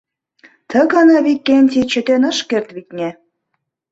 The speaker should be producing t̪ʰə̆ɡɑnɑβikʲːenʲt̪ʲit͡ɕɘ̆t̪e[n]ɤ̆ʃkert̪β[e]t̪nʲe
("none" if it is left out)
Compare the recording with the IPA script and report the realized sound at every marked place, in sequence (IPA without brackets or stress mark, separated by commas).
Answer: n, i